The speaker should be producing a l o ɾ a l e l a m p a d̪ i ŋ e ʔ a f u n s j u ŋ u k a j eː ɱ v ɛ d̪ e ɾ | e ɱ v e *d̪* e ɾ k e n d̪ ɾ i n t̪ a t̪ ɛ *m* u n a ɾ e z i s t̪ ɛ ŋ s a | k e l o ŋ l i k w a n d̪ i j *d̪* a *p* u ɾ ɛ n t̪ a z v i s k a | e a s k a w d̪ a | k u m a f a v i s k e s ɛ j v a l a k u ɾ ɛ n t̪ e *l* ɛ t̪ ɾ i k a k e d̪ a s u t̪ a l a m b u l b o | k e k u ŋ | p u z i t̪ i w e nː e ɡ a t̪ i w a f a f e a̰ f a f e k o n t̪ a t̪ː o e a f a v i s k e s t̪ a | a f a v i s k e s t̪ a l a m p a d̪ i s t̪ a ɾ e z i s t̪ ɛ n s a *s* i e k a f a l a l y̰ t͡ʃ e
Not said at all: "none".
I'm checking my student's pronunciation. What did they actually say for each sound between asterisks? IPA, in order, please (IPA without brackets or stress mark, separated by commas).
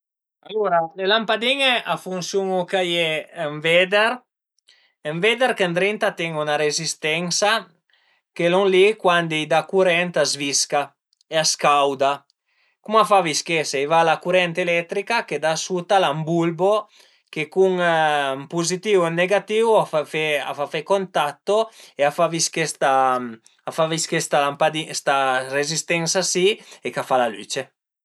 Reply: d̪, ŋ, d̪, k, l, s